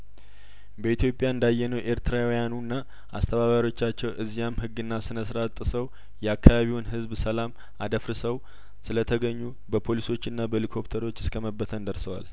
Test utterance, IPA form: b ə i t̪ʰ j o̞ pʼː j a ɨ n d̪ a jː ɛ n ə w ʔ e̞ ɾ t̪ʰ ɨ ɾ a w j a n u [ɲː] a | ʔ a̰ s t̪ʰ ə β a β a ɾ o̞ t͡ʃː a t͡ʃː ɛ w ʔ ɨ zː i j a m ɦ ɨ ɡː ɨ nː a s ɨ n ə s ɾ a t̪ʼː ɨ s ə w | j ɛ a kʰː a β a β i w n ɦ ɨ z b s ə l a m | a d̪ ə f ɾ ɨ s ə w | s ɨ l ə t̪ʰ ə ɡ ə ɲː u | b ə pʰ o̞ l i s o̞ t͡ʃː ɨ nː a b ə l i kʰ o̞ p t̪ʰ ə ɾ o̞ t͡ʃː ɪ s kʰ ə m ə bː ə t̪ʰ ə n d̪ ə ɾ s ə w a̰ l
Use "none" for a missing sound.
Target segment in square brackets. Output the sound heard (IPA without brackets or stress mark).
nː